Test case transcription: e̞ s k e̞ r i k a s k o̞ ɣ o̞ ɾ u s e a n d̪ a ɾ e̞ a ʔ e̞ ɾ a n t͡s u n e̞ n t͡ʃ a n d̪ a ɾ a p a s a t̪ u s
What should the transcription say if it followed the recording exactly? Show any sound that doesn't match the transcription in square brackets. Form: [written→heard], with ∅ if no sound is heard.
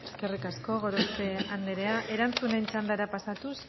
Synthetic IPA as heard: e̞ s k e̞ r i k a s k o̞ ɣ o̞ ɾ [u→o] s e a n d̪ [a→e] ɾ e̞ a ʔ e̞ ɾ a n t͡s u n e̞ n t͡ʃ a n d̪ a ɾ a p a s a t̪ u s